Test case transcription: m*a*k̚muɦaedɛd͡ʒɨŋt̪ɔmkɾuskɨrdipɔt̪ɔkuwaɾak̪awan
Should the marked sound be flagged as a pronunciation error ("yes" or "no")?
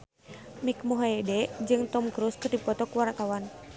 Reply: yes